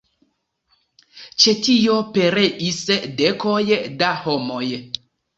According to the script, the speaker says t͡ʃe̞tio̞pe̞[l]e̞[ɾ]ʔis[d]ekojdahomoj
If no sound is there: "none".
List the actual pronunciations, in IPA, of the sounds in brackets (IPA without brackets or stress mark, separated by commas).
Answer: ɾ, none, d